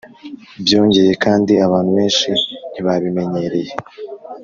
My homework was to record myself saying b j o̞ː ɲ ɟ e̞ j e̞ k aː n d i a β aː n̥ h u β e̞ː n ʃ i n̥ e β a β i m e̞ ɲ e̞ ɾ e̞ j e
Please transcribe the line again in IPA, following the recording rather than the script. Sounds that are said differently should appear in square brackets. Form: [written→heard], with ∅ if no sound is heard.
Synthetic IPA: b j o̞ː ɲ ɟ e̞ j e̞ k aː n d i a β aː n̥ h u β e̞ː n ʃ i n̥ [e→i] β a β i m e̞ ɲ e̞ ɾ e̞ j e

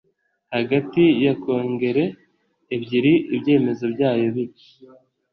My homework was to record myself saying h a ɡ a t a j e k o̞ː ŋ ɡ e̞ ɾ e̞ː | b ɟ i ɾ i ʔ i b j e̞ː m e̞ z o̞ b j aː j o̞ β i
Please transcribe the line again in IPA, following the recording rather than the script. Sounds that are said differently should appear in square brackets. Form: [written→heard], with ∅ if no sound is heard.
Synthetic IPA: h a ɡ a t [a→i] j [e→a] k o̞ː ŋ ɡ e̞ ɾ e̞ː | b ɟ i ɾ i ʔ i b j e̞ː m e̞ z o̞ b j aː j o̞ β i

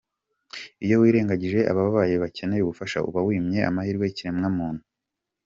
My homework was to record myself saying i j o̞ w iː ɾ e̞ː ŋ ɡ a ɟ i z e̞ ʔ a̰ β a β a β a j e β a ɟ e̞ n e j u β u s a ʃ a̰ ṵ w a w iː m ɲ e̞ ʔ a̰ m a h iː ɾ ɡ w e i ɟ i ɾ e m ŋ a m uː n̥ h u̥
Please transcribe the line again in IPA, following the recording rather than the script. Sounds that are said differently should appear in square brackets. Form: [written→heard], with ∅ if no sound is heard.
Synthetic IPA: i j o̞ w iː ɾ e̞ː ŋ ɡ a ɟ i [z→ʒ] e̞ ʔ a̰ β a β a β a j e β a [ɟ→c] e̞ n e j u β u [s→f] a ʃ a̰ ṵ [w→β] a w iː m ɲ e̞ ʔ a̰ m a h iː ɾ ɡ w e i [ɟ→c] i ɾ e m ŋ a m uː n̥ h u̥

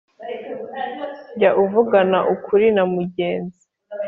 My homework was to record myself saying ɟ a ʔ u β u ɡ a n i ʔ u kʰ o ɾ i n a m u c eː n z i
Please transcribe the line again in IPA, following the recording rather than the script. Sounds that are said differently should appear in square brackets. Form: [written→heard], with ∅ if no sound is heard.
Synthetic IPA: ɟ a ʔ u [β→v] u ɡ a n [i→a] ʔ u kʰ [o→u] ɾ i n a m u [c→ɟ] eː n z i

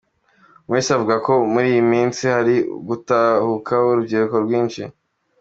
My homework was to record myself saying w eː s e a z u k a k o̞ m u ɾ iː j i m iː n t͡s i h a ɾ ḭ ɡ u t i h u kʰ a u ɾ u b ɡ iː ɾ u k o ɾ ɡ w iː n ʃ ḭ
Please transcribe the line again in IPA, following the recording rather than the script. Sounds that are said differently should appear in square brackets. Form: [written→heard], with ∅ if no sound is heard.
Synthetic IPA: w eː s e a [z→v] u [k→ɡ] a k o̞ m u ɾ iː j i m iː n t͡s i h a ɾ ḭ ɡ u t [i→a] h u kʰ a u ɾ u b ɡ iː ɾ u k o ɾ ɡ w iː n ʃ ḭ

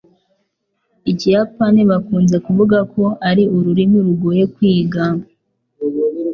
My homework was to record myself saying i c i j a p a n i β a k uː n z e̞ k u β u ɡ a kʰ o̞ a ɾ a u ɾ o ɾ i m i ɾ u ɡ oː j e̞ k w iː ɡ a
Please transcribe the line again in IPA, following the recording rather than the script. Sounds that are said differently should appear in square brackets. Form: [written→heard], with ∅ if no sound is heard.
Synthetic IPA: i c i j a p a n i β a k uː n z e̞ k u [β→v] u ɡ a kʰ o̞ a ɾ [a→i] u ɾ [o→u] ɾ i m i ɾ u ɡ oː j e̞ k w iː ɡ a

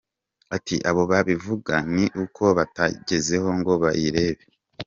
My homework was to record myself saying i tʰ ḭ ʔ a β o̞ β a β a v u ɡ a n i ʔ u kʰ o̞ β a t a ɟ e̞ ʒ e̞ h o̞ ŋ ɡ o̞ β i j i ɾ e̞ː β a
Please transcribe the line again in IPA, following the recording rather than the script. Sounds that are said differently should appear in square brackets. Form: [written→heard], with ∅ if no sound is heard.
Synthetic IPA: [i→a] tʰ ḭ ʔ a β o̞ β a β [a→i] v u ɡ a n i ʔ u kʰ o̞ β a t a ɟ e̞ [ʒ→z] e̞ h o̞ ŋ ɡ o̞ β [i→a] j i ɾ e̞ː β [a→e]

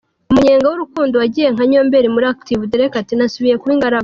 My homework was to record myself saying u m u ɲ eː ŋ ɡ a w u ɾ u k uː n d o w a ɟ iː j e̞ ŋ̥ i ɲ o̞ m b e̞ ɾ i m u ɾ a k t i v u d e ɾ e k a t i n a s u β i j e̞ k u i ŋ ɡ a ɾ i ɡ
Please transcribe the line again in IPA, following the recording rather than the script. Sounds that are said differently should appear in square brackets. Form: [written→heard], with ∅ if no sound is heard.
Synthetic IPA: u m u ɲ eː ŋ ɡ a w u ɾ u k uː n d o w a ɟ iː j e̞ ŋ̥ [i→a] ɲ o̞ m b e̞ ɾ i m u ɾ a k t i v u d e ɾ e k a t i n a s u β i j e̞ k u i ŋ ɡ a ɾ [i→a] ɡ

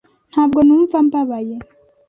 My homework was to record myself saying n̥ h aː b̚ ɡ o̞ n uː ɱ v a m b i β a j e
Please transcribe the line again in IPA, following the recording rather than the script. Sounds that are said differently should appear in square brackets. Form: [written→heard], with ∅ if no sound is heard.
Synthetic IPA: n̥ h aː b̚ ɡ o̞ n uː ɱ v a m b [i→a] β a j e

